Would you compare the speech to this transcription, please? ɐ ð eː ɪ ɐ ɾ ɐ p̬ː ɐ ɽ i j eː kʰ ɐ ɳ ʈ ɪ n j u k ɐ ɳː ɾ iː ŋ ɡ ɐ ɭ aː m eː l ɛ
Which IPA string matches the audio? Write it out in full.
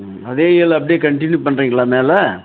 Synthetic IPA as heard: ɐ ð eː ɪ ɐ l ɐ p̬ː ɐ ɽ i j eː k ɐ ɳ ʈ ɪ n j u p ɐ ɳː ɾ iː ŋ ɡ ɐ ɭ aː m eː l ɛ